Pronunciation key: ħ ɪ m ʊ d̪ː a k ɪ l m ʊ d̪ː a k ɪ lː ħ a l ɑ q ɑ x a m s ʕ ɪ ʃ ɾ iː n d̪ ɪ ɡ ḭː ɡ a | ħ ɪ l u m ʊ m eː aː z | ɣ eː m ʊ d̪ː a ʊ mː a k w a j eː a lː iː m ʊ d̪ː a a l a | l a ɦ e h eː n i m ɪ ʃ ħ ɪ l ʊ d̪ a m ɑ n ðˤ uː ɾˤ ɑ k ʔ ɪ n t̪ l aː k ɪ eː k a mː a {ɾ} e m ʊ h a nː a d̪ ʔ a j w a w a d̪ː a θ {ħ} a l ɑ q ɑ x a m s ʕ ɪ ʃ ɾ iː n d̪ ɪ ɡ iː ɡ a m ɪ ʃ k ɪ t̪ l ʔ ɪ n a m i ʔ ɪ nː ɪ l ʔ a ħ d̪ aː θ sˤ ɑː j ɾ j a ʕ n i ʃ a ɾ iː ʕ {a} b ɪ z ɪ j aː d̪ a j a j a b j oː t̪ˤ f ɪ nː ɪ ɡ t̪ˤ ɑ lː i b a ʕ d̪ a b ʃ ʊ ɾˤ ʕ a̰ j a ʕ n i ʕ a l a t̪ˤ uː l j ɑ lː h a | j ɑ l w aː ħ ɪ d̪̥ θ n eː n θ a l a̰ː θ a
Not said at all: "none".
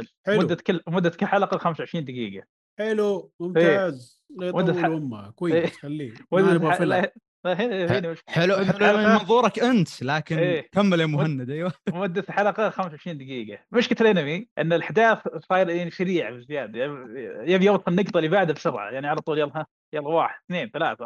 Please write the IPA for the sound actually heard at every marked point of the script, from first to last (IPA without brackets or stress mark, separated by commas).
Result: l, ħ, a